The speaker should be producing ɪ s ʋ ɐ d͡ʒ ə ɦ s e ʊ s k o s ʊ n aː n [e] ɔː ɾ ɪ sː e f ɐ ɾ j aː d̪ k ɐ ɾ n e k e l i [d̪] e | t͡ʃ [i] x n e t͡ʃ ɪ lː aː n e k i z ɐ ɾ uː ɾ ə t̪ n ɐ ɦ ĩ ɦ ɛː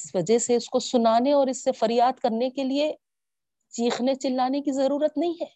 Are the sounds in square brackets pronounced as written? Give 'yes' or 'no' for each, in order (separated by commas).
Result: yes, no, no